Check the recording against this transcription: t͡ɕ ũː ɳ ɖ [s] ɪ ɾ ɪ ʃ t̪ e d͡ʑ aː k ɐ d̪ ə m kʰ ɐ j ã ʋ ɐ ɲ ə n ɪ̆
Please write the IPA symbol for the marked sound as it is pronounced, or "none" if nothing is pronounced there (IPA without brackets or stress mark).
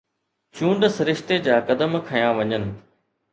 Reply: s